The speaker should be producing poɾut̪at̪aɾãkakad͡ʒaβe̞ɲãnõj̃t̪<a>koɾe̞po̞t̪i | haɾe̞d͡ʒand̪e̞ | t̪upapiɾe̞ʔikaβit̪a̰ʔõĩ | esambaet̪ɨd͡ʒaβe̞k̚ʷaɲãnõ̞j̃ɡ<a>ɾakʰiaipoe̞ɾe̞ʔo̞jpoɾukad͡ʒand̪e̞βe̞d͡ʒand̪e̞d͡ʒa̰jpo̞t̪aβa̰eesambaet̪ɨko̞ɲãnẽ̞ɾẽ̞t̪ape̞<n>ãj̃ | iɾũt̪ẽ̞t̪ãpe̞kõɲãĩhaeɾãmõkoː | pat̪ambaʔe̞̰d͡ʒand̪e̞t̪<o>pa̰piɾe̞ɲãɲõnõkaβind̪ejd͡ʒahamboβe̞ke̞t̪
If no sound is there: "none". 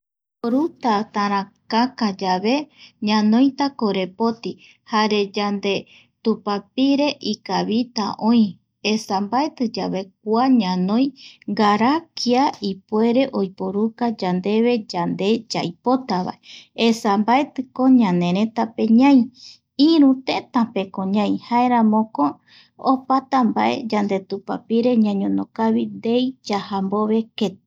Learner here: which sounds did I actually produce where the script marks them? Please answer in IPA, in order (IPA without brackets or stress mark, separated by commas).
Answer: a, a, ɲ, u